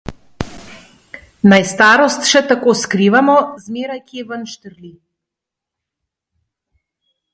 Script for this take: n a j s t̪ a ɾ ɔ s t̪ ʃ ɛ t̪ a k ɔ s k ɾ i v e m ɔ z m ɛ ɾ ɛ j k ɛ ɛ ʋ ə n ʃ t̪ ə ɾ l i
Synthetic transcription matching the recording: n a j s t̪ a ɾ ɔ s t̪ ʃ ɛ t̪ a k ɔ s k ɾ i v a m ɔ z m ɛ ɾ a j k i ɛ v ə n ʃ t̪ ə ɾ l i